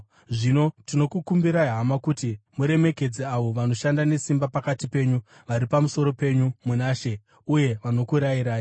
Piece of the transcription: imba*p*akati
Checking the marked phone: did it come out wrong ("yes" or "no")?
no